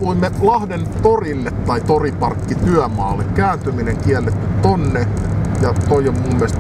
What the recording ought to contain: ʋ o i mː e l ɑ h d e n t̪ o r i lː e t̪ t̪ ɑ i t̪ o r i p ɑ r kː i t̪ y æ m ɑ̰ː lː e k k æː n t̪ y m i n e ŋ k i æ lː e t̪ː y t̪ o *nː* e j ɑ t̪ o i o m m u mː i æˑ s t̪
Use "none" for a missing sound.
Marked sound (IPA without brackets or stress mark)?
nː